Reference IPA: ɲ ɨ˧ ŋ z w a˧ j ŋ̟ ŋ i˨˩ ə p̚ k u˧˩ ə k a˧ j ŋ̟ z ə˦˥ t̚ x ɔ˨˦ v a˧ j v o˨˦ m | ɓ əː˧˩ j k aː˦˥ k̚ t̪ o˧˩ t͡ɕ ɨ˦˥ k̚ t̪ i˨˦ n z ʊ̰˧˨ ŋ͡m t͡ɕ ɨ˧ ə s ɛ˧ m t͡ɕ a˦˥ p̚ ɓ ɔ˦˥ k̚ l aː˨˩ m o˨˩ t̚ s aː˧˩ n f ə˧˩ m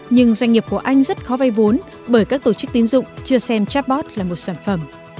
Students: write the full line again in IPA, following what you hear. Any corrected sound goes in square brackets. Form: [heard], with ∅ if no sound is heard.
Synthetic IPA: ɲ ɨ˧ ŋ z w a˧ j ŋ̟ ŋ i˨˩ ə p̚ k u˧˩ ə [ʔ] a˧ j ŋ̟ z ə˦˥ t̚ x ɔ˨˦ v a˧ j v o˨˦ [n] | ɓ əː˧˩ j k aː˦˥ k̚ t̪ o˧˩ t͡ɕ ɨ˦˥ k̚ t̪ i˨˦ n z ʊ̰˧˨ ŋ͡m t͡ɕ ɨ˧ ə s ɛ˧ m t͡ɕ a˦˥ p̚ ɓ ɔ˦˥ [t̚] l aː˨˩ m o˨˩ t̚ s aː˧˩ n f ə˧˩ m